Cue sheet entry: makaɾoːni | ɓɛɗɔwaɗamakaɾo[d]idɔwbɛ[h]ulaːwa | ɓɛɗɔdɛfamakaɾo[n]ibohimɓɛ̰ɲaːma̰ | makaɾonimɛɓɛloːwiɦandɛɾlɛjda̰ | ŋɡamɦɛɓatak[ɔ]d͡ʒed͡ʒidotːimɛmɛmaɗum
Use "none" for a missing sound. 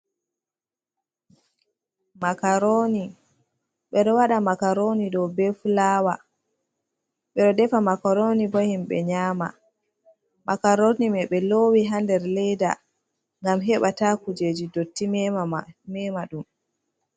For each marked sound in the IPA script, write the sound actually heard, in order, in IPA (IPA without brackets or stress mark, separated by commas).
n, f, n, u